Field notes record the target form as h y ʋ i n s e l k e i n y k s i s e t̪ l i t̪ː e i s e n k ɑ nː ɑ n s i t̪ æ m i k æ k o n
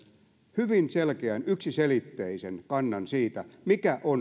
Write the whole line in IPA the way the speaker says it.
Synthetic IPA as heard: h y ʋ i n s e l k e æ n y k s i s e l i t̪ː e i s e n k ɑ nː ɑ n s iː t̪ æ m i k æ ʔ o n